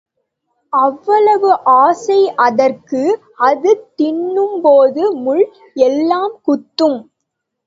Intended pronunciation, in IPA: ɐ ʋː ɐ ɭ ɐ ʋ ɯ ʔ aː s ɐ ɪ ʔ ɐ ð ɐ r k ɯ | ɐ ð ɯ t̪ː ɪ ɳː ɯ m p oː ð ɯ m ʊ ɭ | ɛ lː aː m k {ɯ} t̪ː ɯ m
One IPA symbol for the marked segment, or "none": ʊ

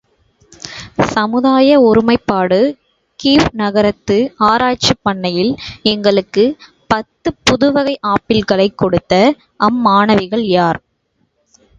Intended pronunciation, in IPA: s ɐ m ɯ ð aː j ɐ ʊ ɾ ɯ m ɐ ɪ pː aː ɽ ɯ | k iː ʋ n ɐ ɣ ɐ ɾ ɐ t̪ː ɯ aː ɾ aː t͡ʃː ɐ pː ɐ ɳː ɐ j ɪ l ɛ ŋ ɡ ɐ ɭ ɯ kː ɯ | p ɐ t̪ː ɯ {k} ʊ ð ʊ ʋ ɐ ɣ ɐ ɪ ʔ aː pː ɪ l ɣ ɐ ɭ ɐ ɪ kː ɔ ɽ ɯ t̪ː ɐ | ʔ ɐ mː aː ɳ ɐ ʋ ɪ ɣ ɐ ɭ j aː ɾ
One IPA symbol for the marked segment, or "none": p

